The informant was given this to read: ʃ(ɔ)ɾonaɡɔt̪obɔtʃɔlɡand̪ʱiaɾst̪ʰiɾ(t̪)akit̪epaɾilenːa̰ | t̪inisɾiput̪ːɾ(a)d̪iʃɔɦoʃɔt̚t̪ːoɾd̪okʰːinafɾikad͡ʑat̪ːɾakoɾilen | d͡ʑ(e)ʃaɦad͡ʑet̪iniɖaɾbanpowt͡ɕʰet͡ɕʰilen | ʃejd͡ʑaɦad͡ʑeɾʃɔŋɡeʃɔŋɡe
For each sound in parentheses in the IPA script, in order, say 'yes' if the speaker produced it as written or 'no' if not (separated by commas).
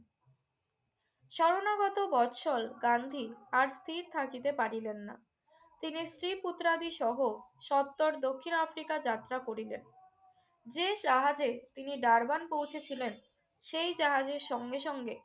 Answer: yes, no, yes, yes